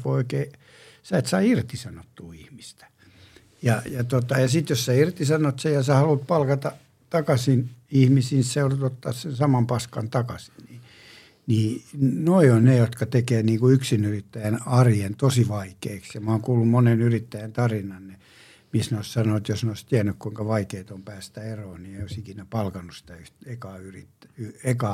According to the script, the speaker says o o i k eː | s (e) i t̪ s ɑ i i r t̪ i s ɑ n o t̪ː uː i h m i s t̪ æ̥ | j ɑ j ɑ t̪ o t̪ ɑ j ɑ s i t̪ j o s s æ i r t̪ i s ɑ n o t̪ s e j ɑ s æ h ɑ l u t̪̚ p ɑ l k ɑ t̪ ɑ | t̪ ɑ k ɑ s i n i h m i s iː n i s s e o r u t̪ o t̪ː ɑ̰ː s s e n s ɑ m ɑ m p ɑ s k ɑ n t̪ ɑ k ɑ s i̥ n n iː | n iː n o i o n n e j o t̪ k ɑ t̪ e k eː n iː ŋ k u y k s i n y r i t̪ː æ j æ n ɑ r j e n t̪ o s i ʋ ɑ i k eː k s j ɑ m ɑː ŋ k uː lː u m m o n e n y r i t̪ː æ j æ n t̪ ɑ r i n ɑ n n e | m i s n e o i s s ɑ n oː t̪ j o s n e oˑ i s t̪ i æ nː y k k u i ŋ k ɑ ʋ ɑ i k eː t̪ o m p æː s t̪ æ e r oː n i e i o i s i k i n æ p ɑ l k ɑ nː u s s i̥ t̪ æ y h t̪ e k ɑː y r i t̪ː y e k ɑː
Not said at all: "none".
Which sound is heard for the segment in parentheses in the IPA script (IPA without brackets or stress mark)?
æ